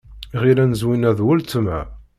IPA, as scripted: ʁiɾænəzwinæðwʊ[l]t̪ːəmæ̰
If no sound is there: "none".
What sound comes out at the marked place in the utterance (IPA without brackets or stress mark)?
l